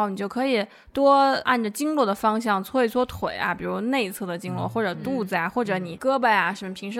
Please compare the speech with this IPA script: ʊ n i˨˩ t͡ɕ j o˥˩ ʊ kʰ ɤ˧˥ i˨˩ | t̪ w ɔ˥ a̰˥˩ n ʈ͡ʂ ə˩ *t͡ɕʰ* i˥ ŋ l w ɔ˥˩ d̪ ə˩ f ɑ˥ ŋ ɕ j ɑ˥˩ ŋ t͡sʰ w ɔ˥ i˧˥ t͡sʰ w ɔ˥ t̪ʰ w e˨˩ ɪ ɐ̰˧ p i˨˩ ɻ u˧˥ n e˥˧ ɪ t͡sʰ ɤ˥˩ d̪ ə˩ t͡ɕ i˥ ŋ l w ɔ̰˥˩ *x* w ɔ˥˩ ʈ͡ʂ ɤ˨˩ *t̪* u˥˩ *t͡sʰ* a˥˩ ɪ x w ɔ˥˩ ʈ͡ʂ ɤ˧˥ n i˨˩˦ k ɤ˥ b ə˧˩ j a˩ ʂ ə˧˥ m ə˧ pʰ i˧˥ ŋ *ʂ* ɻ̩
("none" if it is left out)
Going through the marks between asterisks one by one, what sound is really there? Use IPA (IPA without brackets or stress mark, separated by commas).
t͡ɕ, x, t̪, t͡s, ʂ